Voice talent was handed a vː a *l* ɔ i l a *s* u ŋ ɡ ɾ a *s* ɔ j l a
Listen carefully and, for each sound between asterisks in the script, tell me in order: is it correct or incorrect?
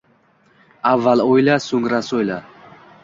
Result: correct, correct, correct

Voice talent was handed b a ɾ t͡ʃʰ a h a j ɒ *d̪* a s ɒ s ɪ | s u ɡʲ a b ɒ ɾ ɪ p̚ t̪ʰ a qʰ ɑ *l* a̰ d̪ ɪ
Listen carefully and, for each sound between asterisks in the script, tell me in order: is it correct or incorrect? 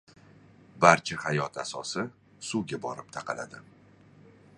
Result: incorrect, correct

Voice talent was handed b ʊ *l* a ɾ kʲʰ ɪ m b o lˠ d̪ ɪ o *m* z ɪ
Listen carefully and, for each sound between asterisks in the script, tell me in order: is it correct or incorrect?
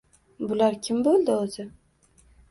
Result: correct, incorrect

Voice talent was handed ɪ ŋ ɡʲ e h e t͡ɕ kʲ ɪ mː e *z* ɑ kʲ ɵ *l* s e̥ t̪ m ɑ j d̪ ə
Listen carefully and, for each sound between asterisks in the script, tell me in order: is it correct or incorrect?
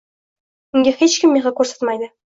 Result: incorrect, incorrect

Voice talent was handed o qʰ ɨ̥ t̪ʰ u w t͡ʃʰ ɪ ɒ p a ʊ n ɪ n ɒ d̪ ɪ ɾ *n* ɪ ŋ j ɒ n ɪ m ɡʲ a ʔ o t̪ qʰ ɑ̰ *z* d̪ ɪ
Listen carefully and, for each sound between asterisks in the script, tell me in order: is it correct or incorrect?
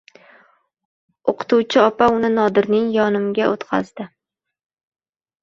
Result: correct, correct

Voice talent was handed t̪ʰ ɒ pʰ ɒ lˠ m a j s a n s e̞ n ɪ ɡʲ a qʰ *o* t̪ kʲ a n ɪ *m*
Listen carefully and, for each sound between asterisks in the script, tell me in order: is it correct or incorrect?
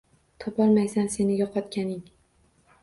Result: incorrect, incorrect

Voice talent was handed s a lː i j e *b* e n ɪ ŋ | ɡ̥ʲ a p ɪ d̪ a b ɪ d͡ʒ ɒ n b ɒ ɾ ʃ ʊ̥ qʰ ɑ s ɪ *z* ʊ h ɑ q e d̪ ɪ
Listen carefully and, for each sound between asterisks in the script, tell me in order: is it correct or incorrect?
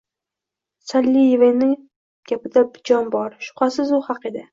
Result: incorrect, correct

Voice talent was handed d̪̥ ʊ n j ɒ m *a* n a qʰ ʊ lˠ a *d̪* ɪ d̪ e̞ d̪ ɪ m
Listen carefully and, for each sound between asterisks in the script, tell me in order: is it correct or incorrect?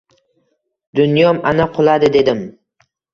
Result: correct, correct

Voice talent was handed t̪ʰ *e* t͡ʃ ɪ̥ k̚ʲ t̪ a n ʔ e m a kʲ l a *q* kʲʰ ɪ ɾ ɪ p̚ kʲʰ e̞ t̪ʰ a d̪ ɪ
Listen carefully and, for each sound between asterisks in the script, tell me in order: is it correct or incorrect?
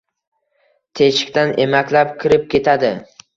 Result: correct, incorrect

